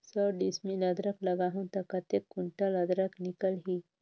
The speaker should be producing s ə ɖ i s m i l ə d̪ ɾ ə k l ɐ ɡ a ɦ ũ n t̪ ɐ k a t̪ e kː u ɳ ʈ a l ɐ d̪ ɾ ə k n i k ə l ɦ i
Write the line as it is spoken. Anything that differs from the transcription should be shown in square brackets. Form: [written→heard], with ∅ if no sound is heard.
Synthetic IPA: s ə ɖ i s m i l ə d̪ ɾ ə k l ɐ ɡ a ɦ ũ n t̪ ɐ k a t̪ e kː u ɳ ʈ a l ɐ d̪ ɾ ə k n i k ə l ɦ i